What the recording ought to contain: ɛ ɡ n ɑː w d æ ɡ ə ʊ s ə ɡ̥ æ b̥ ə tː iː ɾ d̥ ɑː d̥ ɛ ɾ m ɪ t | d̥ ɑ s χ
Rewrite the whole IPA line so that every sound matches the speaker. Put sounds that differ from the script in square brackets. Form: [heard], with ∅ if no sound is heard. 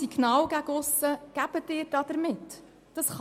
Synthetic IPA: [i] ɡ n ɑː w [ɡ] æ ɡ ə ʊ s ə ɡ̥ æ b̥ ə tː [ɪː] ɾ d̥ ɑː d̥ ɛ ɾ m ɪ t | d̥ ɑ s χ